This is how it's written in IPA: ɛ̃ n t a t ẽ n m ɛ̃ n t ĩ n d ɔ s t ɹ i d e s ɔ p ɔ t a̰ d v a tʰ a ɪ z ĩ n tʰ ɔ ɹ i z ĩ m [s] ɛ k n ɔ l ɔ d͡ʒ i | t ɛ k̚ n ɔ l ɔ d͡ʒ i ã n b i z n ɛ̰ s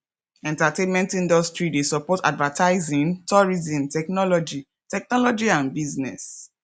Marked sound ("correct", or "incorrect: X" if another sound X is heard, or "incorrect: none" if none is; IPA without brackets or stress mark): incorrect: t